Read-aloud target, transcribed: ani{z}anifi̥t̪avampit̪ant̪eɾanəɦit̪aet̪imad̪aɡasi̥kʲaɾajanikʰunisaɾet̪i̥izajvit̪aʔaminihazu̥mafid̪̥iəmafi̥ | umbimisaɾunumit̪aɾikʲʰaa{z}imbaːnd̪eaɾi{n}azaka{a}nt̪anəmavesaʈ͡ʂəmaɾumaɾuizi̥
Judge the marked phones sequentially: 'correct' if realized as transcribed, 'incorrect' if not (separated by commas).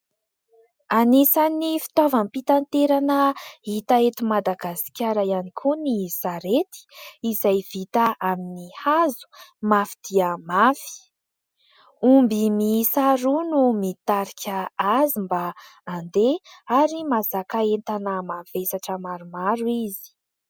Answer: incorrect, correct, incorrect, incorrect